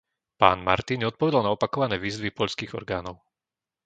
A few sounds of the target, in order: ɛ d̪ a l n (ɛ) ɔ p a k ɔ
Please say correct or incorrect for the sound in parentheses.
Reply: incorrect